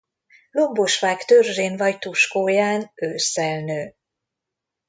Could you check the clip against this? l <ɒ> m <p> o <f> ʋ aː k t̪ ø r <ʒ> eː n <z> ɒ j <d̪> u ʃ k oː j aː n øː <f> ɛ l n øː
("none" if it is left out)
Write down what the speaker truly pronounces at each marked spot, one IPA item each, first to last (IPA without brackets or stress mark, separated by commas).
o, b, ʃ, ʒ, v, t̪, s